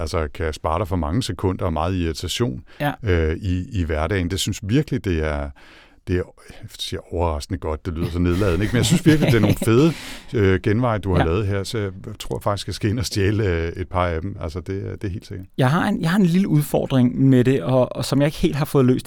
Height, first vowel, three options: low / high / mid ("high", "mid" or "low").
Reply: low